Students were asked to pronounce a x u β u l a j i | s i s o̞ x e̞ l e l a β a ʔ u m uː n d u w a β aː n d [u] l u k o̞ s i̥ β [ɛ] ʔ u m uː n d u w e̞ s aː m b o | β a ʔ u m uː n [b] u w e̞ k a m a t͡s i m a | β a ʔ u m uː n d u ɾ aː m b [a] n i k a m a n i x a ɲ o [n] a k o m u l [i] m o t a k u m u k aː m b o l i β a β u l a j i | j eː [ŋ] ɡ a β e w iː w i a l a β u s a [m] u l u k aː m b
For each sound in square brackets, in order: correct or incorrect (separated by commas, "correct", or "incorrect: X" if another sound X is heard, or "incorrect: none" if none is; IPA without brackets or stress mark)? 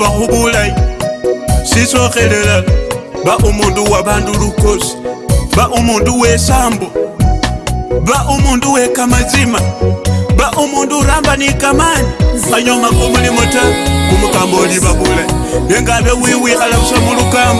correct, incorrect: a, incorrect: d, correct, incorrect: m, correct, correct, correct